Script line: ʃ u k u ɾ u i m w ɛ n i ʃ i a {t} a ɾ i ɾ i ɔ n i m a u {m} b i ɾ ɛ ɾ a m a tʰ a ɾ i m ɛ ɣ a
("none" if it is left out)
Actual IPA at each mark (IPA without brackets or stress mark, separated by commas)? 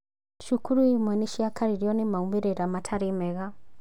k, m